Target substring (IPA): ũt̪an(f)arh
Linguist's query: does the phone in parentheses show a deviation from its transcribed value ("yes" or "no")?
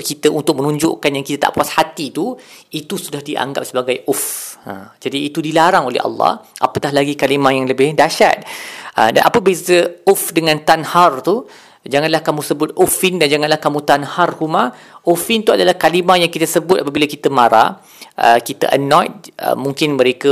yes